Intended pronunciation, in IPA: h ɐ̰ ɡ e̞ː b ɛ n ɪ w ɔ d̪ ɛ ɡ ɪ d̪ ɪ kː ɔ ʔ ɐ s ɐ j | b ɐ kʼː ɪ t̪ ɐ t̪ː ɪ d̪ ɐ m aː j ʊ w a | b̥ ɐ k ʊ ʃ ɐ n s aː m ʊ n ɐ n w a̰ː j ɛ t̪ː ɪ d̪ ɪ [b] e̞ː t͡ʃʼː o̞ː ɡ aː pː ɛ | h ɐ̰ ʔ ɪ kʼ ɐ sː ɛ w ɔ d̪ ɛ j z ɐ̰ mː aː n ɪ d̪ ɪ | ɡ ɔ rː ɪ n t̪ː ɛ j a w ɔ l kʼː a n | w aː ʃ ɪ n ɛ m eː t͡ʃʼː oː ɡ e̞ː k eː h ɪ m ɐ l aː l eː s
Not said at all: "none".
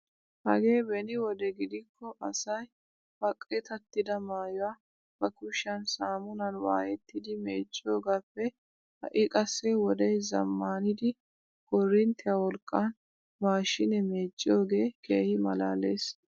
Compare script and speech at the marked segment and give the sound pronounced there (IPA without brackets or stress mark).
m